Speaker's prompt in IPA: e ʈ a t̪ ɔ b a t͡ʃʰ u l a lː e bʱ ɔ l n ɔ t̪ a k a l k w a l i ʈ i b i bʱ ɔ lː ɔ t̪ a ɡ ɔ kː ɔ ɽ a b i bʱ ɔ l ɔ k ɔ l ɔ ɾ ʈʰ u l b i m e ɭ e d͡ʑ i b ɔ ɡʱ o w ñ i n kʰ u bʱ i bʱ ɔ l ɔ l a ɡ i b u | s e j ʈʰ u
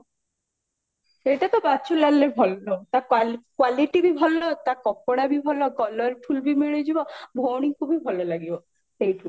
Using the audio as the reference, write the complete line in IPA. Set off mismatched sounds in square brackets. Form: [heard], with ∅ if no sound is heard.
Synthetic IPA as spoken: e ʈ a t̪ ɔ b a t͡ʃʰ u l a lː e bʱ ɔ l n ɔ t̪ a k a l k w a l i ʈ i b i bʱ ɔ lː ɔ t̪ a [k] ɔ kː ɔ ɽ a b i bʱ ɔ l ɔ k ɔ l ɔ ɾ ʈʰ u l b i m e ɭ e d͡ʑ i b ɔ [bʱ] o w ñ i [ŋ] kʰ u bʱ i bʱ ɔ l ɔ l a ɡ i b [ɔ] | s e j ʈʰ u